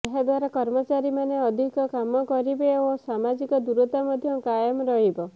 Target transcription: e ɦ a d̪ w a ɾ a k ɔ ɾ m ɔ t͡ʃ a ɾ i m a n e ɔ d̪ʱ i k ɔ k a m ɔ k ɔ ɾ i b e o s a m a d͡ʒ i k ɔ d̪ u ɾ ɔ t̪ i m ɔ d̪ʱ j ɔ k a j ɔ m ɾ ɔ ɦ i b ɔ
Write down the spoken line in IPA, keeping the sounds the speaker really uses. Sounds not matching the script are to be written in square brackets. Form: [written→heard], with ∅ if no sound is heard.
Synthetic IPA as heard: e ɦ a d̪ w a ɾ a k ɔ ɾ m ɔ t͡ʃ a ɾ i m a n e ɔ d̪ʱ i k ɔ k a m ɔ k ɔ ɾ i b e o s a m a d͡ʒ i k ɔ d̪ u ɾ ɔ t̪ [i→a] m ɔ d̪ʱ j ɔ k a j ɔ m ɾ ɔ ɦ i b ɔ